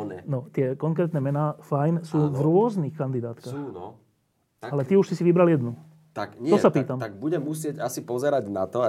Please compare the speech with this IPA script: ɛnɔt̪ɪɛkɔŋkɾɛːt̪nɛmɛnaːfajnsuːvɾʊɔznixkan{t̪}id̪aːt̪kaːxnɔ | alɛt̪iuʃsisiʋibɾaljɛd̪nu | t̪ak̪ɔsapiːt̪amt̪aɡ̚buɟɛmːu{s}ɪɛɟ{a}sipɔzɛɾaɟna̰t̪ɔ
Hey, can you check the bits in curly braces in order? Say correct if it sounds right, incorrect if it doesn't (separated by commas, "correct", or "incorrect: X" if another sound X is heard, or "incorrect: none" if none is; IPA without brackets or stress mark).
incorrect: d̪, correct, correct